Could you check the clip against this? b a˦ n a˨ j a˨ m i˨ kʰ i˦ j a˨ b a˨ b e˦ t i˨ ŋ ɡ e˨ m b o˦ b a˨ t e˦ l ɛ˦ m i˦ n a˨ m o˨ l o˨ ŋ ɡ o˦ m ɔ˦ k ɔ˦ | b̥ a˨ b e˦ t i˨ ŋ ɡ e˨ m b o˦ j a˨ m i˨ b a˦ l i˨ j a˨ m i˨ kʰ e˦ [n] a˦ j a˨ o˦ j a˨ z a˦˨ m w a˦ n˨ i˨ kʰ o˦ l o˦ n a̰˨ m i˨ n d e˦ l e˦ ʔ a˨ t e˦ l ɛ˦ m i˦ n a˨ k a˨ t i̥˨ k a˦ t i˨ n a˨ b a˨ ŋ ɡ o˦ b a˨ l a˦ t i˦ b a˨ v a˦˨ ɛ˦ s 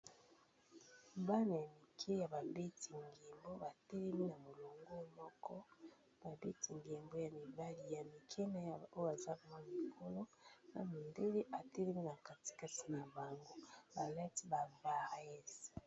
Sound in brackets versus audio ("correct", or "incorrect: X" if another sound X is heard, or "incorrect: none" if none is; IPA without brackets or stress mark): correct